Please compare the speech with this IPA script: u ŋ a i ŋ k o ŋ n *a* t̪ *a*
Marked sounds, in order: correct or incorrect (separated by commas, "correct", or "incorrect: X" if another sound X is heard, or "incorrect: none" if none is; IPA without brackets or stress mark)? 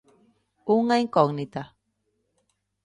incorrect: i, correct